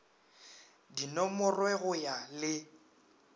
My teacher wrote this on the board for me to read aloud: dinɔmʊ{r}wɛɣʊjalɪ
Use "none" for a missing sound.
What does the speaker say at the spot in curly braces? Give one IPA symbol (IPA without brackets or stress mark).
r